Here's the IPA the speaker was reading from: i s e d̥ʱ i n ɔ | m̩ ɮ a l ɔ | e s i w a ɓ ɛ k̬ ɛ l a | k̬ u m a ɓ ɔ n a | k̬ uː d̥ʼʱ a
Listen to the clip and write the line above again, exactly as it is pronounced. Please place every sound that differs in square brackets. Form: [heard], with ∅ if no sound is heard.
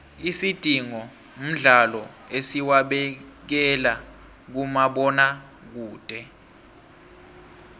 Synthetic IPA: i s [i] d̥ʱ i [ŋ] ɔ | m̩ ɮ a l ɔ | e s i w a ɓ ɛ k̬ ɛ l a | k̬ u m a ɓ ɔ n a | k̬ uː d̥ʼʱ [ɛ]

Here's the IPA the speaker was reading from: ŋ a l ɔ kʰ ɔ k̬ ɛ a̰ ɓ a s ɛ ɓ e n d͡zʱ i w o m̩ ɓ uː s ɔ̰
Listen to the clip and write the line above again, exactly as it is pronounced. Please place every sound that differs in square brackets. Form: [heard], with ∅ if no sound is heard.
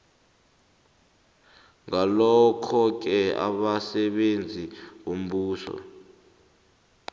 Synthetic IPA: ŋ a l ɔ kʰ ɔ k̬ ɛ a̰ ɓ a s ɛ ɓ e n d͡zʱ i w o m̩ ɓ uː s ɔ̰

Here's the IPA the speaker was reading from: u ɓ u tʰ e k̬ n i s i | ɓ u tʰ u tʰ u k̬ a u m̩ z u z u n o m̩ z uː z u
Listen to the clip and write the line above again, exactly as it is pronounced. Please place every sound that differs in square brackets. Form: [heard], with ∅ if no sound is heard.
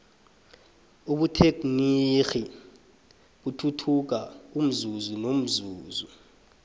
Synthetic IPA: u ɓ u tʰ e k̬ n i [x] i | ɓ u tʰ u tʰ u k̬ a u m̩ z u z u n o m̩ z uː z u

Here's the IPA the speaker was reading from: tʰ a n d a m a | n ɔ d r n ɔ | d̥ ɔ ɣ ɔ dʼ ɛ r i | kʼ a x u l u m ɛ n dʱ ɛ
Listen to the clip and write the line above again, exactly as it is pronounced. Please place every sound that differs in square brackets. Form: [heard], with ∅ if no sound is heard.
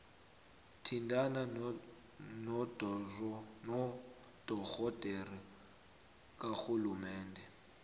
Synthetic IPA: tʰ [i] n d a [n] a | n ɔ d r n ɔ | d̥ ɔ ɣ ɔ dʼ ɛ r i | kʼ a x u l u m [ɛː] n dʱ ɛ

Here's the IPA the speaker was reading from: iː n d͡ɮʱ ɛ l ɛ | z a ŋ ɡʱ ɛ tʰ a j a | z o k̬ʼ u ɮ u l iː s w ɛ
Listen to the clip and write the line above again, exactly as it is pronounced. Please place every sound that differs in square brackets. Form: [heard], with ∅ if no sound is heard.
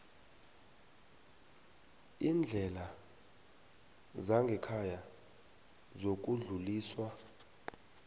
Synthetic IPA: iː n d͡ɮʱ ɛ l [a] | z a ŋ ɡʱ ɛ [kʰ] a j a | z o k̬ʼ u ɮ u l iː s w [a]

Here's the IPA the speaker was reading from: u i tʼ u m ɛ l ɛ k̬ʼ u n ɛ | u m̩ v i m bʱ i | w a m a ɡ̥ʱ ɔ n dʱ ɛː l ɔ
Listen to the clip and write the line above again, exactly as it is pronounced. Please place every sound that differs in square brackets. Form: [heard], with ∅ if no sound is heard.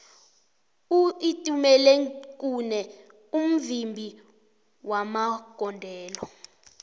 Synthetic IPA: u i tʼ u m ɛ l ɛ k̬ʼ u n ɛ | u m̩ v i m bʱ i | w a m a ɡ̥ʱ ɔ n dʱ ɛː l ɔ

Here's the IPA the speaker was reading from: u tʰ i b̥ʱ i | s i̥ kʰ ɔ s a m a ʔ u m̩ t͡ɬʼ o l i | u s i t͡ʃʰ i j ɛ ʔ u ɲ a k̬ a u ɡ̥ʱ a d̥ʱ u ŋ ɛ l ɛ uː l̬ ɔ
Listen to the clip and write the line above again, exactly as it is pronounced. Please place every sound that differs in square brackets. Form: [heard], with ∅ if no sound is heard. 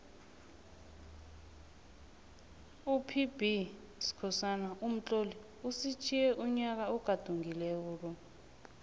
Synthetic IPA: u [pʰ] i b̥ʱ i | s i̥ kʰ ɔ s a [n] a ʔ u m̩ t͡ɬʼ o l i | u s i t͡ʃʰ i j ɛ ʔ u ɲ a k̬ a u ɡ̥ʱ a d̥ʱ u ŋ [i] l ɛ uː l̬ ɔ

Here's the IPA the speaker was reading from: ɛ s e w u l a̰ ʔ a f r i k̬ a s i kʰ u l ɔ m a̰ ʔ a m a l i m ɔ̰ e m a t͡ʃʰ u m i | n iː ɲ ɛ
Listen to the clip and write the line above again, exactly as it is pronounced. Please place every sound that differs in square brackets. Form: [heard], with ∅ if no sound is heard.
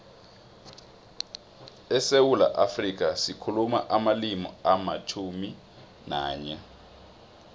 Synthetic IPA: ɛ s e w u l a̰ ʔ a f r i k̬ a s i kʰ u l [u] m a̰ ʔ a m a l i m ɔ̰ [a] m a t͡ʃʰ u m i | n [aː] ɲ ɛ

